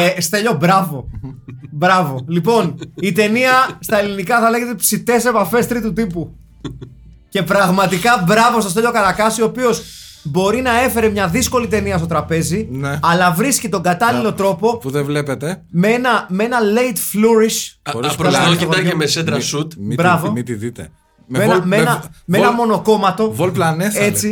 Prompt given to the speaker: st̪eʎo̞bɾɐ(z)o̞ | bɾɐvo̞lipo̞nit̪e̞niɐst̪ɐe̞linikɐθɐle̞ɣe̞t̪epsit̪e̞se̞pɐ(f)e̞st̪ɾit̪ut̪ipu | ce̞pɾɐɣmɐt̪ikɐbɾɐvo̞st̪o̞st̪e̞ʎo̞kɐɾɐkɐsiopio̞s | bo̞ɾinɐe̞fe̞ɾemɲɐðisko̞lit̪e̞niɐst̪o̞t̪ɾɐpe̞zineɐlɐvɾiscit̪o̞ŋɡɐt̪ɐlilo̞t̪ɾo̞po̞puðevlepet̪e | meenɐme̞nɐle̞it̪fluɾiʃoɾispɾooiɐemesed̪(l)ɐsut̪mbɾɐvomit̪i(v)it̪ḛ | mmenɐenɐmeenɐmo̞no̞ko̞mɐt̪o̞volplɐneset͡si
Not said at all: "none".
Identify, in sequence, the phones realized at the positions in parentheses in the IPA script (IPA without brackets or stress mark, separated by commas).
v, f, ɾ, ð